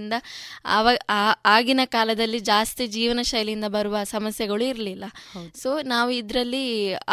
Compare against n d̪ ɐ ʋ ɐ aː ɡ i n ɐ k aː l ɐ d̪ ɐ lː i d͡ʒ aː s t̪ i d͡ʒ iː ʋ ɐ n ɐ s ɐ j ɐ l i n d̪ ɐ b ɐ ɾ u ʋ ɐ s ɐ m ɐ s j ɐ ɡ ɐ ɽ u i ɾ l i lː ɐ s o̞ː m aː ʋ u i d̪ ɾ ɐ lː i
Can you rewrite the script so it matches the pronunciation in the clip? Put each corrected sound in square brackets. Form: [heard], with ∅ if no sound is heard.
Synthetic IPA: n d̪ ɐ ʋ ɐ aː ɡ i n ɐ k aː l ɐ d̪ ɐ lː i d͡ʒ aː s t̪ i d͡ʒ iː ʋ ɐ n ɐ [ʃ] ɐ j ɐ l i n d̪ ɐ b ɐ ɾ u ʋ ɐ s ɐ m ɐ s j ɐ ɡ ɐ [ɭ] u i ɾ l i lː ɐ s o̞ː [n] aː ʋ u i d̪ ɾ ɐ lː i